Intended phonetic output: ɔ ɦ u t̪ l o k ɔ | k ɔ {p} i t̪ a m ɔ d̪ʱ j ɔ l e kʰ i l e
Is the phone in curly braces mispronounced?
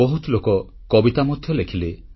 yes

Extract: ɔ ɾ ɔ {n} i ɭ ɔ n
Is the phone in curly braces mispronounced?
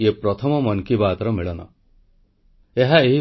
yes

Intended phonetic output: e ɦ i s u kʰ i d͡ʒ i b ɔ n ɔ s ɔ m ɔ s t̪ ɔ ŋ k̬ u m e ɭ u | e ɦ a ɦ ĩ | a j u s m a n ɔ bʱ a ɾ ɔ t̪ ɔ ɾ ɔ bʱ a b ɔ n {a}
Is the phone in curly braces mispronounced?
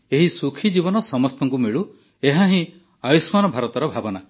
no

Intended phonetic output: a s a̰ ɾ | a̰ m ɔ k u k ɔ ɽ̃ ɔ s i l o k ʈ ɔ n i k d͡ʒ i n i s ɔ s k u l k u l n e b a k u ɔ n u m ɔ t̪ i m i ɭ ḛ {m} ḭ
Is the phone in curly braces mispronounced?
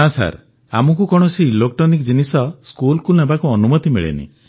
yes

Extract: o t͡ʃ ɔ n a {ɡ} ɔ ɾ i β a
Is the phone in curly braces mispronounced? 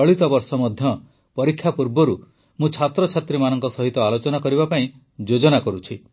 yes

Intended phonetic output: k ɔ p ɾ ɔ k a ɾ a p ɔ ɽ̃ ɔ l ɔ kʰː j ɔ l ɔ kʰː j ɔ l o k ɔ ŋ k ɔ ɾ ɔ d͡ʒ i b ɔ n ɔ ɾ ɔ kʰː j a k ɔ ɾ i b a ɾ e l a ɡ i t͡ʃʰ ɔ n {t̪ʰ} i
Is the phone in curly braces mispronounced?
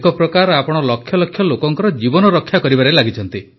yes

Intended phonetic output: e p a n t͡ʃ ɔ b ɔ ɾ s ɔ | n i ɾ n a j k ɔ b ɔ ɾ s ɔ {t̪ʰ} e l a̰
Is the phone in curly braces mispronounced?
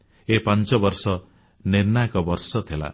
no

